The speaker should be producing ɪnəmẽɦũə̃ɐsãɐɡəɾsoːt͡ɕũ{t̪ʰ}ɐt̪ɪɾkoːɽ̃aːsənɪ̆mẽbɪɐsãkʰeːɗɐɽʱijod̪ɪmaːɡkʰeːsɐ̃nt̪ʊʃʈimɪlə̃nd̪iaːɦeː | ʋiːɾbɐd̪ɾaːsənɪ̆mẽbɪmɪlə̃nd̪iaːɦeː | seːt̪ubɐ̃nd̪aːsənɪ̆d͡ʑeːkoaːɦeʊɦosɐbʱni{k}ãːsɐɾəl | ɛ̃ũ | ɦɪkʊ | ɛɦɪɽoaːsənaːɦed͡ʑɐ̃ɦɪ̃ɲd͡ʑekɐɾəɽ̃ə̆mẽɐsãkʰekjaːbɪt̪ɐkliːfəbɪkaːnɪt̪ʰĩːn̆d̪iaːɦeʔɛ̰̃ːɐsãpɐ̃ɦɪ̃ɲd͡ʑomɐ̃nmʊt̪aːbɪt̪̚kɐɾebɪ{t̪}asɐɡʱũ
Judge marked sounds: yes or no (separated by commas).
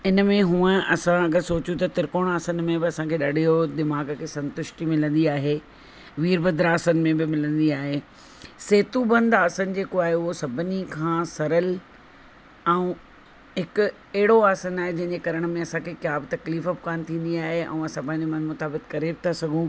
no, no, no